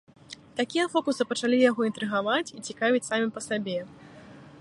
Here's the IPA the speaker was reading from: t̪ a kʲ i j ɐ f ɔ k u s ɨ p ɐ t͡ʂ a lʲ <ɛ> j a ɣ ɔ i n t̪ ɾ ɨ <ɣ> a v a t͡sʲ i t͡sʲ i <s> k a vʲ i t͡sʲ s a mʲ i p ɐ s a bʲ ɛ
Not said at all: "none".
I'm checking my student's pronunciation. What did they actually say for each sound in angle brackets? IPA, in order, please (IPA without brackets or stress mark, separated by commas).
i, ɣ, none